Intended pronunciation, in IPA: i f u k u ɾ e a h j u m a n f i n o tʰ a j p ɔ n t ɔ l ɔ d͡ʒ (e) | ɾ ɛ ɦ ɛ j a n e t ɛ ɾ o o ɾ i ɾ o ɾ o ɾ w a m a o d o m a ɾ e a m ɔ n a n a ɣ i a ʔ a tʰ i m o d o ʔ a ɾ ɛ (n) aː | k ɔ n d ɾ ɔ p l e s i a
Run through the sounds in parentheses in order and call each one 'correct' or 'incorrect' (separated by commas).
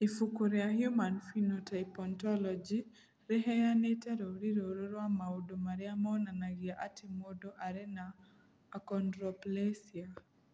incorrect, correct